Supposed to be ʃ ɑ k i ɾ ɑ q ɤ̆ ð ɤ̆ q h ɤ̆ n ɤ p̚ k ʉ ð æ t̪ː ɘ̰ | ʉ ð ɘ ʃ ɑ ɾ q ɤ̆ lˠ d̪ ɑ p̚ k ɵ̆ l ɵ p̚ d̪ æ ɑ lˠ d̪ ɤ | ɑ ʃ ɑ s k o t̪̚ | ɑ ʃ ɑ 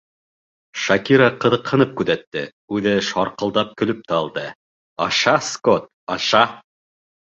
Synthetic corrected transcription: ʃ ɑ k i ɾ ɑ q ɤ̆ ð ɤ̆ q h ɤ̆ n ɤ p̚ k ʉ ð æ t̪ː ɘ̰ | ʉ ð ɘ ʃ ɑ ɾ q ɤ̆ lˠ d̪ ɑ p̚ k ɵ̆ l ɵ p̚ t̪ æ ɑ lˠ d̪ ɤ | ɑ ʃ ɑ s k o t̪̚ | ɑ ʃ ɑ

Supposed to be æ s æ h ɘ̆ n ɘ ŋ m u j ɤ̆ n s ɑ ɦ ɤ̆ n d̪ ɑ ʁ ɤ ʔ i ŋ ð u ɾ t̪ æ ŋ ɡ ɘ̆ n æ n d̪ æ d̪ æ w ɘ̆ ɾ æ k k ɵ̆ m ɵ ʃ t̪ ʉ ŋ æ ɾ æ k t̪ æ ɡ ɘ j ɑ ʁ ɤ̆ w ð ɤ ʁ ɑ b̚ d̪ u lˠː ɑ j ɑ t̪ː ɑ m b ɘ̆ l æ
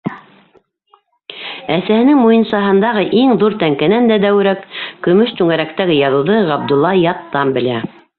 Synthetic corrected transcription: æ s æ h ɘ̆ n ɘ ŋ m u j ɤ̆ n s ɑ ɦ ɤ̆ n d̪ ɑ ʁ ɤ ʔ i ŋ ð u ɾ t̪ æ ŋ k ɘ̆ n æ n d̪ æ d̪ æ w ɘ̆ ɾ æ k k ɵ̆ m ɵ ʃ t̪ ʉ ŋ æ ɾ æ k t̪ æ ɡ ɘ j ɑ ð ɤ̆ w ð ɤ ʁ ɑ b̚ d̪ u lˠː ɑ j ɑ t̪ː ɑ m b ɘ̆ l æ

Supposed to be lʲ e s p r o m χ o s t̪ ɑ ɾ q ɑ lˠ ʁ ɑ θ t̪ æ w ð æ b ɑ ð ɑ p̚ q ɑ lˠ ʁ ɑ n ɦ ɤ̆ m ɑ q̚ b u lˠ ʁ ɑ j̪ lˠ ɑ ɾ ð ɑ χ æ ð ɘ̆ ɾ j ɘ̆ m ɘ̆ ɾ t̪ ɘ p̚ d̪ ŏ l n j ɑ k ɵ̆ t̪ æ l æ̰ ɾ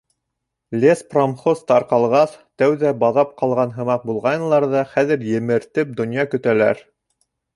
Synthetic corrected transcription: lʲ e s p r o m χ o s t̪ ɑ ɾ q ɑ lˠ ʁ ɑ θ t̪ æ w ð æ b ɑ ð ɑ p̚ q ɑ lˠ ʁ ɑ n ɦ ɤ̆ m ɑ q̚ b u lˠ ʁ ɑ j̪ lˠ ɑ ɾ ð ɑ χ æ ð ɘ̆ ɾ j ɘ̆ m ɘ̆ ɾ t̪ ɘ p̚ d̪ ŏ n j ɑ k ɵ̆ t̪ æ l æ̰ ɾ

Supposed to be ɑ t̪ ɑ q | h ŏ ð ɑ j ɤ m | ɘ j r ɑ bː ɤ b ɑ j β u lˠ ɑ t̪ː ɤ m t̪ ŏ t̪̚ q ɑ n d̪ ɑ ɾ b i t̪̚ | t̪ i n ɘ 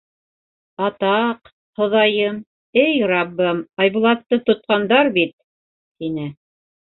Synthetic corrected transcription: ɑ t̪ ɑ q | h ŏ ð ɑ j ɤ m | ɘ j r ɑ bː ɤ m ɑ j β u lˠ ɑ t̪ː ɤ t̪ ŏ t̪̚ q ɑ n d̪ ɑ ɾ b i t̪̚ | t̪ i n ɘ

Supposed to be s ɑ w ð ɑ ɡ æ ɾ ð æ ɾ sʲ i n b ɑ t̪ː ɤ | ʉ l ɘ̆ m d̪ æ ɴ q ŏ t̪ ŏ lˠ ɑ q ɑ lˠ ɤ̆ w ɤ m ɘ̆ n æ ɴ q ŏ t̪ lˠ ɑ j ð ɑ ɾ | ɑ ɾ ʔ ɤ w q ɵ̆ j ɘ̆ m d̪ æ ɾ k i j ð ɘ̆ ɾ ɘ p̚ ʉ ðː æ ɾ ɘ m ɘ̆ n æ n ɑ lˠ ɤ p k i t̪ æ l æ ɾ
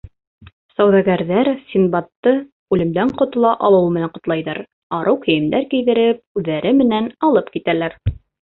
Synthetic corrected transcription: s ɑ w ð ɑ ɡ æ ɾ ð æ ɾ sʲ i n b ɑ t̪ː ɤ | ʉ l ɘ̆ m d̪ æ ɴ q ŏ t̪ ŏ lˠ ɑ ʔ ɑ lˠ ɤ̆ w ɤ m ɘ̆ n æ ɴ q ŏ t̪ lˠ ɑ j ð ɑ ɾ | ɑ ɾ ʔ ɤ w k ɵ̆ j ɘ̆ m d̪ æ ɾ k i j ð ɘ̆ ɾ ɘ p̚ ʉ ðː æ ɾ ɘ m ɘ̆ n æ n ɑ lˠ ɤ p k i t̪ æ l æ ɾ

